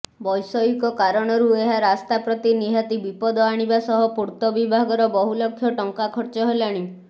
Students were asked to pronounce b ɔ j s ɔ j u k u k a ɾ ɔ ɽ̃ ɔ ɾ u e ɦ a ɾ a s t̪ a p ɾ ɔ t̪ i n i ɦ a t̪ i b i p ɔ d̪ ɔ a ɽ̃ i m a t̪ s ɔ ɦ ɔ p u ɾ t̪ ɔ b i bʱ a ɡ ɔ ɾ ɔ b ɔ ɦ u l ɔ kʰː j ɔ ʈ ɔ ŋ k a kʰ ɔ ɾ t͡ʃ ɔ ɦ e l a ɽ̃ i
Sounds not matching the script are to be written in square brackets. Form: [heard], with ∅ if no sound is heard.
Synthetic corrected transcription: b ɔ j s ɔ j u k [ɔ] k a ɾ ɔ ɽ̃ ɔ ɾ u e ɦ a ɾ a s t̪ a p ɾ ɔ t̪ i n i ɦ a t̪ i b i p ɔ d̪ ɔ a ɽ̃ i [b] a [∅] s ɔ ɦ ɔ p u ɾ t̪ ɔ b i bʱ a ɡ ɔ ɾ ɔ b ɔ ɦ u l ɔ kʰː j ɔ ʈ ɔ ŋ k a kʰ ɔ ɾ t͡ʃ ɔ ɦ e l a ɽ̃ i